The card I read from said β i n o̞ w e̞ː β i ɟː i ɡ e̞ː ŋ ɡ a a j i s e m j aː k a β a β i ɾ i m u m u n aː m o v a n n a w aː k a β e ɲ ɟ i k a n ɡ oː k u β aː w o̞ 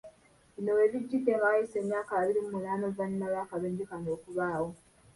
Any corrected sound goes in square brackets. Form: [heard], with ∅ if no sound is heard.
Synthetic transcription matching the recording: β i n o̞ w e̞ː β i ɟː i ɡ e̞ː ŋ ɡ a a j i s e m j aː k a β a β i ɾ i m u m u n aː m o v a n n a [β] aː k a β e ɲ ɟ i k a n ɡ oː k u β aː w o̞